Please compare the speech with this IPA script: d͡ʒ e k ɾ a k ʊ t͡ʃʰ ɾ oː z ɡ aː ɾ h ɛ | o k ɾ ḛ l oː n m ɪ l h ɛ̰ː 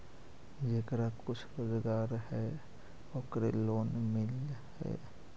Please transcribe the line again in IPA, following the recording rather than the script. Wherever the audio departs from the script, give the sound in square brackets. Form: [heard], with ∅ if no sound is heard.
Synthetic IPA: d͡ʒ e k ɾ a k ʊ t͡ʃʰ ɾ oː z ɡ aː ɾ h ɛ | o k ɾ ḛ l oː n m ɪ l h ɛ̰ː